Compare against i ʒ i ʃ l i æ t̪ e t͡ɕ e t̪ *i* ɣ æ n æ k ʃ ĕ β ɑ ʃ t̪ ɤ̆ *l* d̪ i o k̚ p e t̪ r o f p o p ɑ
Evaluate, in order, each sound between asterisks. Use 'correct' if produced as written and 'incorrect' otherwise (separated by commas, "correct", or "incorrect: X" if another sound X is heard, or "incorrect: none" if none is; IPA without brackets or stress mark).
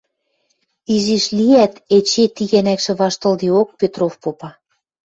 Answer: correct, correct